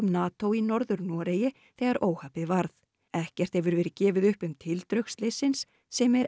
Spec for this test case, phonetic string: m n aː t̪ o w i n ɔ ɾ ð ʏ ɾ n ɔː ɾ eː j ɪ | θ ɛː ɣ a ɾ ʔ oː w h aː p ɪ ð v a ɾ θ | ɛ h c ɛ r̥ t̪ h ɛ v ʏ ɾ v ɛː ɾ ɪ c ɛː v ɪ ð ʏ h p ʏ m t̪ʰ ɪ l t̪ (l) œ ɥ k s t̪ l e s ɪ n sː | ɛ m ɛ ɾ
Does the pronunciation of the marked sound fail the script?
yes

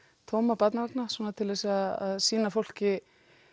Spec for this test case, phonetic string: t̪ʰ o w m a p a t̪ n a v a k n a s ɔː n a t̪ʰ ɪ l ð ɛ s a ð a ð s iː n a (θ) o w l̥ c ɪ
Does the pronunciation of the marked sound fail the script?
yes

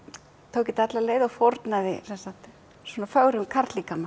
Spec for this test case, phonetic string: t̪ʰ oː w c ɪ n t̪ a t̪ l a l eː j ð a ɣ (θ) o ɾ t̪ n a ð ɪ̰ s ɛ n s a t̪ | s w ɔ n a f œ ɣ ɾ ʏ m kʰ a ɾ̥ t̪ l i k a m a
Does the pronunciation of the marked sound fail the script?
yes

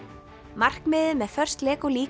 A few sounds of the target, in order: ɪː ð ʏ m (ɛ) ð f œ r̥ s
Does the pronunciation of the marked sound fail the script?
no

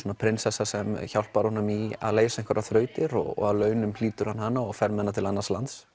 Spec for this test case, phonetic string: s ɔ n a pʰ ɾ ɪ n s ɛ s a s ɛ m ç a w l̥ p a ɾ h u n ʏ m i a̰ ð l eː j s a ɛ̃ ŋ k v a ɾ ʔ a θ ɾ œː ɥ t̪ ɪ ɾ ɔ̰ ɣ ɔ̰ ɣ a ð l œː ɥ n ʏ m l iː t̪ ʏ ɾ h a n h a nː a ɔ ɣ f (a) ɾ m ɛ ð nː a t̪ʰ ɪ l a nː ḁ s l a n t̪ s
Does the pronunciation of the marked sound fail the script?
yes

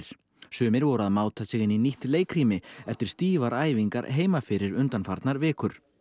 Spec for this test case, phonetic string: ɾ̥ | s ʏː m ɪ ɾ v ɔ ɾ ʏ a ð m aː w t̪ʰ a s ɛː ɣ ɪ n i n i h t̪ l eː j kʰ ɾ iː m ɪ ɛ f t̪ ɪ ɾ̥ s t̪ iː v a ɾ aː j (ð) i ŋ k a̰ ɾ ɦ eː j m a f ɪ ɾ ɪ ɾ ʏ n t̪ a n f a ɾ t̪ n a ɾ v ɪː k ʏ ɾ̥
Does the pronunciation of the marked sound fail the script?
yes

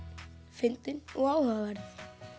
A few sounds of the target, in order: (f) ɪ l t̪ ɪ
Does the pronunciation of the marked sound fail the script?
no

